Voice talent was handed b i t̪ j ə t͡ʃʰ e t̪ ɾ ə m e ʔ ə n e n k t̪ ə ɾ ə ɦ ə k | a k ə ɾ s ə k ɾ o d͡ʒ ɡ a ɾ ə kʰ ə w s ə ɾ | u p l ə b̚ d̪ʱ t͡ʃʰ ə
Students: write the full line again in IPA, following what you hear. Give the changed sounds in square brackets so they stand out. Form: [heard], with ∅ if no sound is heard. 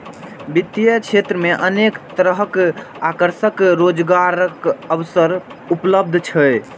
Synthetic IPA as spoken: b i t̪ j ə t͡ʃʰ e t̪ ɾ ə m e ʔ ə n e [∅] k t̪ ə ɾ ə ɦ ə k | a k ə ɾ s ə k ɾ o d͡ʒ ɡ a ɾ ə [k] ə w s ə ɾ | u p l ə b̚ d̪ʱ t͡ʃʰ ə